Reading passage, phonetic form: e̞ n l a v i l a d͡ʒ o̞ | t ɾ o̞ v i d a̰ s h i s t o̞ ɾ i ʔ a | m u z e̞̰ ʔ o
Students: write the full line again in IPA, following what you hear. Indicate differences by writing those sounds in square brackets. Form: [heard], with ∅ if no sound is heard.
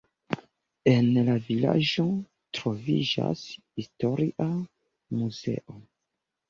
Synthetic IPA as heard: e̞ n l a v i l a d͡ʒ o̞ | t ɾ o̞ v i [d͡ʒ] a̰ s h i s t o̞ ɾ i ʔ a | m u z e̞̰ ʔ o